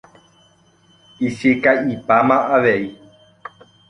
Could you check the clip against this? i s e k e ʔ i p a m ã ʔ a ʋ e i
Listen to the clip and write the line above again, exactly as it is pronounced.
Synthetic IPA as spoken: i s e k a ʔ i p a m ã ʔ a ʋ e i